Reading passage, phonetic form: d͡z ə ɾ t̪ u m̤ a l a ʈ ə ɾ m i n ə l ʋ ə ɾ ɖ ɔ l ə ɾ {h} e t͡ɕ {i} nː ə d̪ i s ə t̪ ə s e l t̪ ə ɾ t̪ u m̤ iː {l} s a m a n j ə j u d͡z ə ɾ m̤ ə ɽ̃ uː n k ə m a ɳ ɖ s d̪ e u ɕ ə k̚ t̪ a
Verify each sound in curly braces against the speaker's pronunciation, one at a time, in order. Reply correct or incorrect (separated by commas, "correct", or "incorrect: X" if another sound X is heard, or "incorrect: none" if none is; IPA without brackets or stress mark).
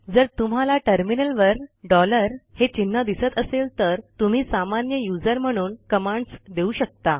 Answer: correct, correct, incorrect: none